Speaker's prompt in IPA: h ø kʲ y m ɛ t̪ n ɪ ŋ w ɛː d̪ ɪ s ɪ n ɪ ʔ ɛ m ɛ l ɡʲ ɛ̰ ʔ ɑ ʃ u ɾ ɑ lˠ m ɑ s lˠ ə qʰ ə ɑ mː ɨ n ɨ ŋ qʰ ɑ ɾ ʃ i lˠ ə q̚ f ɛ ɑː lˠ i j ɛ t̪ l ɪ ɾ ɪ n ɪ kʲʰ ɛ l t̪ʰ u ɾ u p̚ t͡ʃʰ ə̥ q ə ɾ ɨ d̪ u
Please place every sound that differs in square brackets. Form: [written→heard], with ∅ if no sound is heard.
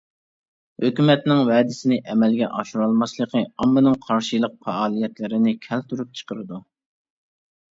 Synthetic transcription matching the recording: h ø kʲ y m ɛ t̪ n ɪ ŋ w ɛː d̪ ɪ s ɪ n ɪ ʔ ɛ m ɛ l ɡʲ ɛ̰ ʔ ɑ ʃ u ɾ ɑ lˠ m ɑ s lˠ ə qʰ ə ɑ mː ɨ n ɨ ŋ qʰ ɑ ɾ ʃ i lˠ ə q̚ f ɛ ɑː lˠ i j ɛ t̪ l ɪ ɾ ɪ n ɪ kʲʰ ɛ l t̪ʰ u ɾ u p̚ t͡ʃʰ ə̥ q ə ɾ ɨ d̪ u